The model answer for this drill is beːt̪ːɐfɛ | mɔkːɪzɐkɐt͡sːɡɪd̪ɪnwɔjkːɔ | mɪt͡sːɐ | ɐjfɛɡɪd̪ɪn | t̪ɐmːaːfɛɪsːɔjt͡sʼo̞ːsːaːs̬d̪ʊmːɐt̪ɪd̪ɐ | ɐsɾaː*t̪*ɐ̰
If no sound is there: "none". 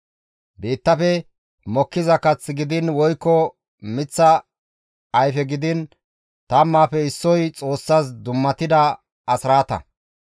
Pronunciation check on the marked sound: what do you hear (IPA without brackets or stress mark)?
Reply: t̪